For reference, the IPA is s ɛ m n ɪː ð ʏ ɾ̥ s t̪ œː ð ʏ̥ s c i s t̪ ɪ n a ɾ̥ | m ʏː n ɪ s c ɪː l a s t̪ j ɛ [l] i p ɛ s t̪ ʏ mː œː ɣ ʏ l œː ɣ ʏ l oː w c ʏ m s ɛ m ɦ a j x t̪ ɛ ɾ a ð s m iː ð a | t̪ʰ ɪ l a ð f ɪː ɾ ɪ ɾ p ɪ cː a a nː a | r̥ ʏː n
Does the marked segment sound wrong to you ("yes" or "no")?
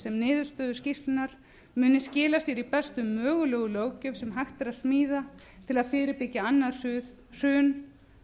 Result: yes